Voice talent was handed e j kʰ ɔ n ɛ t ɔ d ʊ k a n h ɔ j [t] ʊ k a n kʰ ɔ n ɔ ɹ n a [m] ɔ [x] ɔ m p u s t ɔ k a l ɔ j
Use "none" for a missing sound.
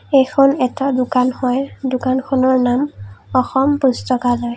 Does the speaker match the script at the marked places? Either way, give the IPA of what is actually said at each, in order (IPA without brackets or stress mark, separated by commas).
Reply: d, m, x